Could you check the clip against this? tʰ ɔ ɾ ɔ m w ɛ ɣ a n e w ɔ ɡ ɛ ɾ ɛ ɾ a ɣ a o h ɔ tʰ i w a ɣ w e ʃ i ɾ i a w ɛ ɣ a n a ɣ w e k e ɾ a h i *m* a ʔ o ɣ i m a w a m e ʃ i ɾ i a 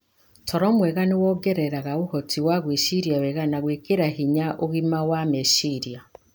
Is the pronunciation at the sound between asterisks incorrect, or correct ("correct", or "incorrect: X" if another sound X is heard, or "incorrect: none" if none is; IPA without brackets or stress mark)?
incorrect: ɲ